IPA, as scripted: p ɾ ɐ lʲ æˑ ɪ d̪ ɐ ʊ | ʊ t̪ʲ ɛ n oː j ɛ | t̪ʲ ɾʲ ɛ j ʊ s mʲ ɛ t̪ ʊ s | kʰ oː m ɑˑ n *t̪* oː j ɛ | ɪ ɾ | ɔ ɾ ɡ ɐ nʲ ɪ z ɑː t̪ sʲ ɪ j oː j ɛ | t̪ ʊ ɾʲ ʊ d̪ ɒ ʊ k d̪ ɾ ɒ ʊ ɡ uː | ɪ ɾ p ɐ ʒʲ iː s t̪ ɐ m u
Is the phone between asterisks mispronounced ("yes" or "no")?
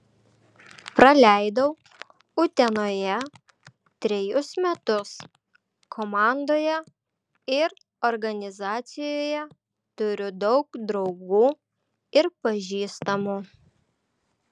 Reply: yes